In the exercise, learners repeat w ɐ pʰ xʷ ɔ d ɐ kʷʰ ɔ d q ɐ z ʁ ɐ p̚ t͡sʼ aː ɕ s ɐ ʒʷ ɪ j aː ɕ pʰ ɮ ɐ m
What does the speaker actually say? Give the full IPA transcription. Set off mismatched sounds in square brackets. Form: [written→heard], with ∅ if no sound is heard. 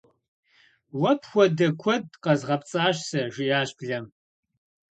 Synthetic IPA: w ɐ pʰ xʷ ɔ d ɐ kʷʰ ɔ d q ɐ z ʁ ɐ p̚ t͡sʼ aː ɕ s ɐ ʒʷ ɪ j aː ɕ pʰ ɮ ɐ m